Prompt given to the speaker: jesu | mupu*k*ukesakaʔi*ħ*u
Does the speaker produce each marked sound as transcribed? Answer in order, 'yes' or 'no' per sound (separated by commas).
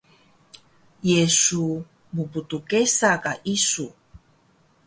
no, no